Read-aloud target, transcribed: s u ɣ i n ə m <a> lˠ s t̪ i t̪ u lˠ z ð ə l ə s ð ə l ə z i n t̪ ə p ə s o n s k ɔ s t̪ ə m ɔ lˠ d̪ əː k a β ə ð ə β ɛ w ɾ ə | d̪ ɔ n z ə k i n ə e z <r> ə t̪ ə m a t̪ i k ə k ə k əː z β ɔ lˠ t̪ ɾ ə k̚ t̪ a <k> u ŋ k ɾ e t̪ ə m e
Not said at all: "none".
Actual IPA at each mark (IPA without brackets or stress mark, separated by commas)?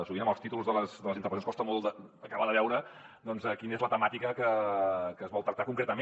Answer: ə, l, k